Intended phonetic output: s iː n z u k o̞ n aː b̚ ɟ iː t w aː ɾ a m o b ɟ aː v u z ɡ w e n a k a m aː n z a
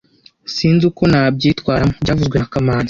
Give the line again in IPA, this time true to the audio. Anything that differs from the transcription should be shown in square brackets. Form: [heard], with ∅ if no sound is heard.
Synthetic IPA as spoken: s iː n z u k o̞ n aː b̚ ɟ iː t w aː ɾ a m o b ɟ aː v u z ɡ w e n a k a m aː n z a